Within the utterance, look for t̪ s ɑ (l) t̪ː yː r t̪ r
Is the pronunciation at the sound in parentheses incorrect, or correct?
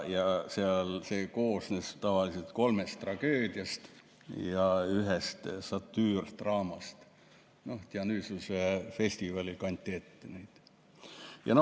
incorrect